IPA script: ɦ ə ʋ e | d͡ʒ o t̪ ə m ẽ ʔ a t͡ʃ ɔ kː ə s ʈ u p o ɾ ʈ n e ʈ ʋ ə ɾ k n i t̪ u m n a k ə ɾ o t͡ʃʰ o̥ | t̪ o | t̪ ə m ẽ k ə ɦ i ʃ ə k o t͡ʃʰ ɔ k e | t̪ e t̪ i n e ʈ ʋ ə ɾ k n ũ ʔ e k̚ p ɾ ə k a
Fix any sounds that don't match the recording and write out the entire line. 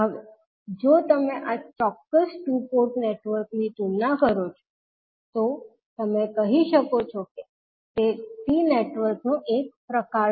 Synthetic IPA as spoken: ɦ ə ʋ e | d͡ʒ o t̪ ə m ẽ ʔ a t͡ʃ ɔ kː ə s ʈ u p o ɾ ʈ n e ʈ ʋ ə ɾ k n i t̪ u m n a k ə ɾ o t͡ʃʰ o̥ | t̪ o | t̪ ə m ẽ k ə ɦ i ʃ ə k o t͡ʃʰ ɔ k e | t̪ e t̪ i n e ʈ ʋ ə ɾ k n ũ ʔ e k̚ p ɾ ə k a